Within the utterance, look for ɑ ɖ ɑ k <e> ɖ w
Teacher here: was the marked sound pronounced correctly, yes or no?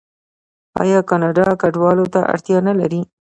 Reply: no